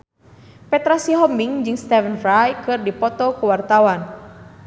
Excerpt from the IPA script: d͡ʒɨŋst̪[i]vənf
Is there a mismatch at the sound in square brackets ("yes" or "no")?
yes